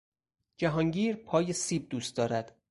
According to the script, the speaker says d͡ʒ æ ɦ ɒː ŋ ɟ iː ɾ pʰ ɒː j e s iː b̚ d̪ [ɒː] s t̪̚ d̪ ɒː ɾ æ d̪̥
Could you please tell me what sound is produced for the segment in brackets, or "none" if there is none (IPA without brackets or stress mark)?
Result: uː